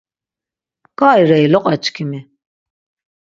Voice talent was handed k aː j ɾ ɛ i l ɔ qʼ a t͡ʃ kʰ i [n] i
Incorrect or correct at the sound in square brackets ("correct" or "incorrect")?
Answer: incorrect